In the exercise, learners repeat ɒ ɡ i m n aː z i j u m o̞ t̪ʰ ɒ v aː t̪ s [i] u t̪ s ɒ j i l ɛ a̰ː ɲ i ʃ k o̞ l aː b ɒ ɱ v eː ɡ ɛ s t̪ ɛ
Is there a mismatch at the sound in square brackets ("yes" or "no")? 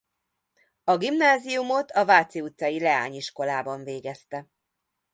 no